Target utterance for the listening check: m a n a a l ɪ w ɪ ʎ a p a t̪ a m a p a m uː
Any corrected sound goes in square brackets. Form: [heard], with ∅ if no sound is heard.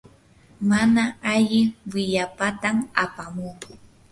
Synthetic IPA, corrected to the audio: m a n a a [ʎ] ɪ w ɪ ʎ a p a t̪ a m a p a m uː